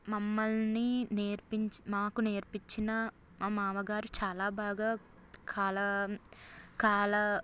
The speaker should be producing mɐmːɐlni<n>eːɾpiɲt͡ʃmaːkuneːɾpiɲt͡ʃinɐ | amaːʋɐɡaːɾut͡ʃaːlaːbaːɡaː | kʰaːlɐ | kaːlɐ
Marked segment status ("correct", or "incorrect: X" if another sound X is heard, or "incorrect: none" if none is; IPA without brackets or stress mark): correct